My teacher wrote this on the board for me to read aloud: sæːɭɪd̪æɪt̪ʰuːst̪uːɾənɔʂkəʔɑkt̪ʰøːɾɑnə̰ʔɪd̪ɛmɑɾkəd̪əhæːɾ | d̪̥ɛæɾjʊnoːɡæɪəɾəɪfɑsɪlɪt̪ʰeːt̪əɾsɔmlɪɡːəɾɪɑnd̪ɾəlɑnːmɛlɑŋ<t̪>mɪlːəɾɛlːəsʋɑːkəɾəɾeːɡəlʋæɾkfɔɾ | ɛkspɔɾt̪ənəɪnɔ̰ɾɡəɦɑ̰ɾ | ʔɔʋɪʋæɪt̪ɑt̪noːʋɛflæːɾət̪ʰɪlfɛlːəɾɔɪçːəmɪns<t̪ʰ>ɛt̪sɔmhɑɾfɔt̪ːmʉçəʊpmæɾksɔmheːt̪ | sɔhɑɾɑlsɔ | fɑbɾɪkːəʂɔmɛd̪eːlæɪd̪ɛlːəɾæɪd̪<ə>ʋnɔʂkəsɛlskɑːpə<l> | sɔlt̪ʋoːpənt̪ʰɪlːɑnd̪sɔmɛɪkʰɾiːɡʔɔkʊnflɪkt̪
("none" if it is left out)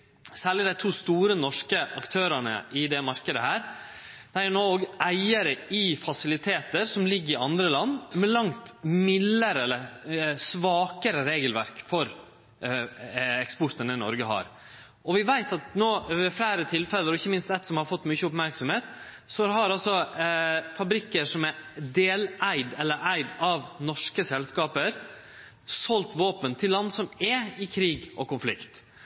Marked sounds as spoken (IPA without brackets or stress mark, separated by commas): t̪, t̪, ɑ, ɾ